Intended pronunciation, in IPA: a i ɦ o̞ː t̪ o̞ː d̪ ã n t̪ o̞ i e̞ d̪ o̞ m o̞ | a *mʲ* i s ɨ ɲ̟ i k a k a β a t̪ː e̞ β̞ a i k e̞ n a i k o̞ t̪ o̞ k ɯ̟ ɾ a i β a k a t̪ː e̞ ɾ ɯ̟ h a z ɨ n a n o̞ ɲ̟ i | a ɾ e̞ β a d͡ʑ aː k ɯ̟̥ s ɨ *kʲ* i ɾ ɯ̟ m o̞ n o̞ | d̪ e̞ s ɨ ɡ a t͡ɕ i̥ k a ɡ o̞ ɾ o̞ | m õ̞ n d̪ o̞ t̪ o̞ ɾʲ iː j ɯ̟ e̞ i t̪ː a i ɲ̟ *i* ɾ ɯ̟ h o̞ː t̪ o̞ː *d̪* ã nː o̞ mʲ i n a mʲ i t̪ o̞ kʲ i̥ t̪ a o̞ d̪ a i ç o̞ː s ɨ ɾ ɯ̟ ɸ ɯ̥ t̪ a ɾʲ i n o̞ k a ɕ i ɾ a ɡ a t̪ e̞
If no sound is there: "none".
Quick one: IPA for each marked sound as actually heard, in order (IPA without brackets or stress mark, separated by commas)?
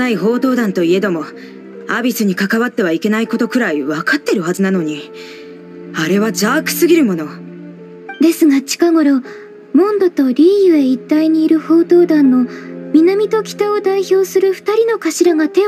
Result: bʲ, ɡʲ, iː, d̪